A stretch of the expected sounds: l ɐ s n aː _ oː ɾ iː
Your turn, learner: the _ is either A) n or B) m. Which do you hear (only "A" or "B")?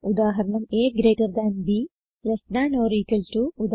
A